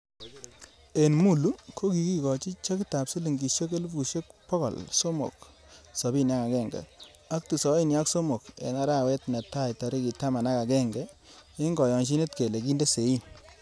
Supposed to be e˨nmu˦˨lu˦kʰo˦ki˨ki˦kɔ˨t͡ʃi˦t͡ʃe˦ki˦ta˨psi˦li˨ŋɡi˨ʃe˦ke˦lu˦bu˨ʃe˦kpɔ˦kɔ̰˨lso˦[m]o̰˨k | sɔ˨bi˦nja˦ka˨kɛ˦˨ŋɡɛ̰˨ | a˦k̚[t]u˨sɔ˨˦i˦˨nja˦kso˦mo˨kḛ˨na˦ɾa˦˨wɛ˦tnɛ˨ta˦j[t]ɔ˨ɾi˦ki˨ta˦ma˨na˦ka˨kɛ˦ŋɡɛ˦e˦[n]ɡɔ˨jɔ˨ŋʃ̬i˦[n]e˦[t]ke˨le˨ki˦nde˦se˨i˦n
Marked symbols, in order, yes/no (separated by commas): yes, yes, yes, no, yes, yes